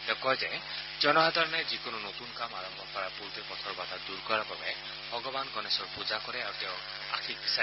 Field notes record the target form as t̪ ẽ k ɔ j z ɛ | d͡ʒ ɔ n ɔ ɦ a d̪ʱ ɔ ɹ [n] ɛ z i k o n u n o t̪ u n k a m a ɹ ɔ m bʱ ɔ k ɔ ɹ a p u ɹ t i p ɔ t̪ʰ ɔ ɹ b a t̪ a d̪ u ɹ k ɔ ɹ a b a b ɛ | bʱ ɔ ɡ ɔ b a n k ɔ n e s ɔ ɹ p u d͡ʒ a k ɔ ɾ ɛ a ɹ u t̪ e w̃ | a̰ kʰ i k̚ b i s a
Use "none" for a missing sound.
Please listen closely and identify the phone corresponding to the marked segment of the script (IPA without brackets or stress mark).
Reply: n